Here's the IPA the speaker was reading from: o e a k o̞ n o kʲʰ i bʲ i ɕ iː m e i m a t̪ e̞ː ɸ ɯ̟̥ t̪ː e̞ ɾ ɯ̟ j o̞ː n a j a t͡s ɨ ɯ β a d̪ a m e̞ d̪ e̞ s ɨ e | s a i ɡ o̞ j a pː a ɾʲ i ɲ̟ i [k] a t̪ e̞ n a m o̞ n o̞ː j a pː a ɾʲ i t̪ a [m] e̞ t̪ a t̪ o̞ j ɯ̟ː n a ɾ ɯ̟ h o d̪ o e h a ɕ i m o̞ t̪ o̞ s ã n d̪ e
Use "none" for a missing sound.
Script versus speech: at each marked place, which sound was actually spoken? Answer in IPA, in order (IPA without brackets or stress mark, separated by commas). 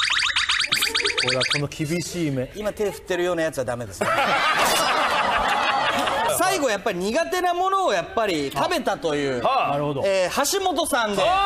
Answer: ɡ, b